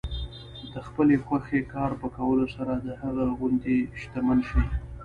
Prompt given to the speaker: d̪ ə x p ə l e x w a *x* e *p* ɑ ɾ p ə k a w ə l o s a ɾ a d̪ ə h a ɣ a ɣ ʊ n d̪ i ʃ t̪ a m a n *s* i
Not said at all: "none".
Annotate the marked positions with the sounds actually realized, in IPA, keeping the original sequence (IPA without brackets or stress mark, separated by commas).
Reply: x, k, ʃ